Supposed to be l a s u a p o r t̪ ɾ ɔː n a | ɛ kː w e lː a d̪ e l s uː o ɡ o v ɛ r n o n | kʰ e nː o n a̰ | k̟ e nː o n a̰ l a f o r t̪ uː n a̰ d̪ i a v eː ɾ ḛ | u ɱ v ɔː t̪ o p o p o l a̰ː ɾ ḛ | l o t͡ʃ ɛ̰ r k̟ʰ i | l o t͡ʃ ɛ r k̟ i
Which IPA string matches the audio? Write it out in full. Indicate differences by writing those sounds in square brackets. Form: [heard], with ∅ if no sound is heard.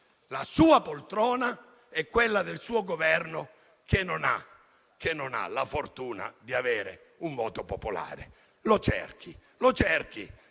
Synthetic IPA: l a s [uː] a p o [l] t̪ ɾ ɔː n a | ɛ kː w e lː a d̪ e l s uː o ɡ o v ɛ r n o [∅] | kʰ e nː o n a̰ | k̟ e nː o n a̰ l a f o r t̪ uː n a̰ d̪ i a v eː ɾ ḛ | u ɱ v ɔː t̪ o p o p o l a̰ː ɾ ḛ | l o t͡ʃ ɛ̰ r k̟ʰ i | l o t͡ʃ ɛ r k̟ i

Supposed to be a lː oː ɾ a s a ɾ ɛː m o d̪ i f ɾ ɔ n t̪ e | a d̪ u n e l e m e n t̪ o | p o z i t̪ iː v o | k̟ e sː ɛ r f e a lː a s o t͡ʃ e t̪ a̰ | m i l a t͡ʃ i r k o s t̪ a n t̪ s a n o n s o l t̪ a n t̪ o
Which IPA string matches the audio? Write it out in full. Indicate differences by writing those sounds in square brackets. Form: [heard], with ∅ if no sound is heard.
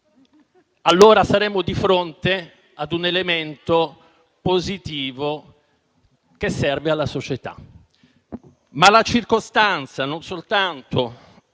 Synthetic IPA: a lː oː ɾ a s a ɾ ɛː m o d̪ i f ɾ [o] n t̪ e | a d̪ u n e l e m e n t̪ o | p o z i t̪ iː v o | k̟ e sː ɛ r [v] e a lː a s o t͡ʃ e t̪ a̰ | m [a] l a t͡ʃ i r k o s t̪ a n t̪ s a n o n s o l t̪ a n t̪ o

